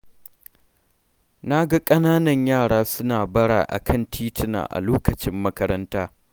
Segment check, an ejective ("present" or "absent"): present